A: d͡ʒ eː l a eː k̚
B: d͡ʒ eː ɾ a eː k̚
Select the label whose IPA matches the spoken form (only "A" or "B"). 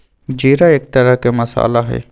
B